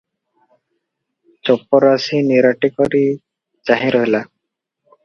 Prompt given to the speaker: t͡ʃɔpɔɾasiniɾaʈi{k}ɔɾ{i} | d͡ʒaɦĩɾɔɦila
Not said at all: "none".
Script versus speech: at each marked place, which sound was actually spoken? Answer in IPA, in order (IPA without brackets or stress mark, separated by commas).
k, i